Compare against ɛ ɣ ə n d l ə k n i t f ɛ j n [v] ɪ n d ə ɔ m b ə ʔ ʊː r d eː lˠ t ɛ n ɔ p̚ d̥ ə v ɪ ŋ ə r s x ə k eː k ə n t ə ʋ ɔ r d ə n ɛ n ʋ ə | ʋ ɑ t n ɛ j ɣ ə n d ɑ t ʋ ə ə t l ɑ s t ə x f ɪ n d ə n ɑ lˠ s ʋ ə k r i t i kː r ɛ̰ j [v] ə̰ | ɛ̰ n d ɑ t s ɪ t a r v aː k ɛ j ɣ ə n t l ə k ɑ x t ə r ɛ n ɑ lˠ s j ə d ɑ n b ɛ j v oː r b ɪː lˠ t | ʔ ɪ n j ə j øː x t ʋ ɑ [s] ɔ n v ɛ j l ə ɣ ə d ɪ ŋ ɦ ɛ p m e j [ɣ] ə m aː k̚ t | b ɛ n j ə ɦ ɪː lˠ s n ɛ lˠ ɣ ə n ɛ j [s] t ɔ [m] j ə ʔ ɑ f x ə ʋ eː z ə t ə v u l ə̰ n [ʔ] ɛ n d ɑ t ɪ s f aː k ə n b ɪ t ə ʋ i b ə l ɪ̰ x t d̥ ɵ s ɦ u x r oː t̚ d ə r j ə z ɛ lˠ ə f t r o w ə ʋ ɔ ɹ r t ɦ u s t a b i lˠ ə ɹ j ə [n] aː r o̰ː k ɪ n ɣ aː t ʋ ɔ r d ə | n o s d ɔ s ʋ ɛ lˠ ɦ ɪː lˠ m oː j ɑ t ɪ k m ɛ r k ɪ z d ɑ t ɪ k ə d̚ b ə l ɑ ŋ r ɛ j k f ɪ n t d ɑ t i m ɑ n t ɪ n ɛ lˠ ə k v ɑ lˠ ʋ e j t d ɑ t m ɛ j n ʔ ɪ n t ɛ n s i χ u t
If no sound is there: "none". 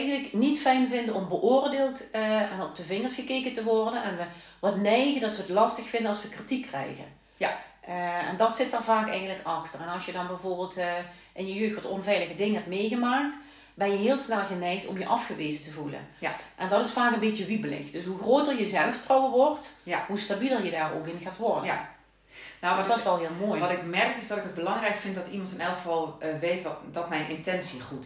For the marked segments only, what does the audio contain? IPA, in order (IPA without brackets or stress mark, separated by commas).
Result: v, ɣ, t, ɣ, x, m, ʔ, d